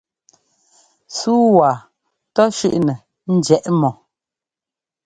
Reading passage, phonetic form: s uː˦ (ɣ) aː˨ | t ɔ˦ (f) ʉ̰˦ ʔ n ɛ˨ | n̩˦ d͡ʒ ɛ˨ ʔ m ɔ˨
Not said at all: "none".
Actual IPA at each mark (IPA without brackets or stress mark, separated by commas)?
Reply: w, ʃ